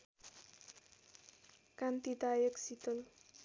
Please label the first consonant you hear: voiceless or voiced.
voiceless